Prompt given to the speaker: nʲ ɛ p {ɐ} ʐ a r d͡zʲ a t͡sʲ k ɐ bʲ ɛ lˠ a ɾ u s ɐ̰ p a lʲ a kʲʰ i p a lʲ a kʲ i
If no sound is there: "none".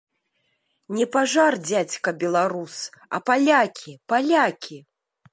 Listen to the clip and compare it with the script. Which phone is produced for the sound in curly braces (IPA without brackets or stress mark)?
a